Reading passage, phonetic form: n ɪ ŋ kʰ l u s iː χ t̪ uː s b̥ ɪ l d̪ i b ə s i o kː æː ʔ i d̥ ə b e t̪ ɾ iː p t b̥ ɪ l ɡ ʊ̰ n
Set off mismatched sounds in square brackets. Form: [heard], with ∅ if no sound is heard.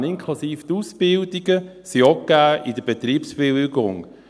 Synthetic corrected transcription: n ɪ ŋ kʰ l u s iː [f] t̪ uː s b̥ ɪ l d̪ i [ɡ] ə s i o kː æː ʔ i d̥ ə b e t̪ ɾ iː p [s] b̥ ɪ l ɡ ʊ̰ [ŋ]